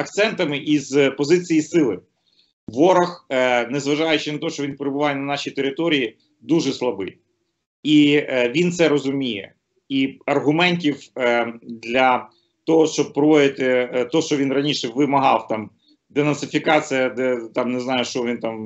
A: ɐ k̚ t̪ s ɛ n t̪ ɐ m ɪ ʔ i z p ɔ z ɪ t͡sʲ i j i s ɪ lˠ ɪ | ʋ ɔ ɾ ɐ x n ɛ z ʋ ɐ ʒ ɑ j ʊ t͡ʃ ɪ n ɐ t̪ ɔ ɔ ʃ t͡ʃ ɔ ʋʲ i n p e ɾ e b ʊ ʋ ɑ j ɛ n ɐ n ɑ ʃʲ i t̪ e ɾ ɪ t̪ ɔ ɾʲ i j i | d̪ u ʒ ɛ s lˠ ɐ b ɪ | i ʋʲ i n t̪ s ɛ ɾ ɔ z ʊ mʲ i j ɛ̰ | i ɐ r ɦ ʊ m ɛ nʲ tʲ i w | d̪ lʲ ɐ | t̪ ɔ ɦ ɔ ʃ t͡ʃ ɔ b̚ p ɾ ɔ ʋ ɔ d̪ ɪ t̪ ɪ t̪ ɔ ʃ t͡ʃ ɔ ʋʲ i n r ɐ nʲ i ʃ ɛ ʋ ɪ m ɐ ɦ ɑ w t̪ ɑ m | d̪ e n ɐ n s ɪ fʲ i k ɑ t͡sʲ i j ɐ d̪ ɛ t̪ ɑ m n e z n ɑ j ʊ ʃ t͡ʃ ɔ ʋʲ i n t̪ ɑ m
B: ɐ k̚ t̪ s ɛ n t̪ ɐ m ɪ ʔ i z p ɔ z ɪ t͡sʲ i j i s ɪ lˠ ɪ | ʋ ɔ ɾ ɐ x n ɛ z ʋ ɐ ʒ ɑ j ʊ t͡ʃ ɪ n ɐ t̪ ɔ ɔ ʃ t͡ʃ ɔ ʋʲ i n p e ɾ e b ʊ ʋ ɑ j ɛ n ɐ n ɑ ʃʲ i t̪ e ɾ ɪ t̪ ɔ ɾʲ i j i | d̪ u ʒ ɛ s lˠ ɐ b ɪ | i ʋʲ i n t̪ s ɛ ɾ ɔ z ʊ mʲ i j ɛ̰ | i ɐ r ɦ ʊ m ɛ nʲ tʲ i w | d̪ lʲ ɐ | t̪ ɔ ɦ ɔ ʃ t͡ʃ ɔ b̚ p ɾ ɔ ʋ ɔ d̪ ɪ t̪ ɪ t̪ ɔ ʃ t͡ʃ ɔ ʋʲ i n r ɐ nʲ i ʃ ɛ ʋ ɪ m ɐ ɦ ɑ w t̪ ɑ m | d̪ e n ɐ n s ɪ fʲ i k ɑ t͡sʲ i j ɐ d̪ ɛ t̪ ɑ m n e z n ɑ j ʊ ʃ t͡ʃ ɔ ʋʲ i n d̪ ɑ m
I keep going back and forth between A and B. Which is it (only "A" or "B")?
A